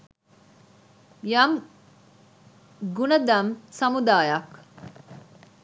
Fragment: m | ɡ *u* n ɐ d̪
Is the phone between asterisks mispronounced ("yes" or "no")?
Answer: no